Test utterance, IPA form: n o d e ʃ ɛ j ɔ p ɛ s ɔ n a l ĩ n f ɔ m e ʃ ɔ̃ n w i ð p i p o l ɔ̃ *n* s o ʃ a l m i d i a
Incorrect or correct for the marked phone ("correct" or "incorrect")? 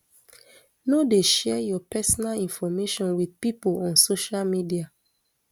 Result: correct